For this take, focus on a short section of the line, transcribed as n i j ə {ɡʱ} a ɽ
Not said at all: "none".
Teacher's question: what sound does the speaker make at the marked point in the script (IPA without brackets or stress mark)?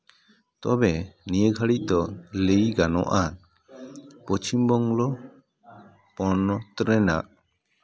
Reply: ɡʱ